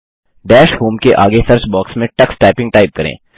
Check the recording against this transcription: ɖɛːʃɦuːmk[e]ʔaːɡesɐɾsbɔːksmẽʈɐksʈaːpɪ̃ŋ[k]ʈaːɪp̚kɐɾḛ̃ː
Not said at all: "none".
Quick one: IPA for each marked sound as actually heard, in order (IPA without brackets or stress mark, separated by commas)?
e, ɡ